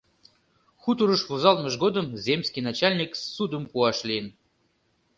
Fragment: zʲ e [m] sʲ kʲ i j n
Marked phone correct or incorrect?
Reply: correct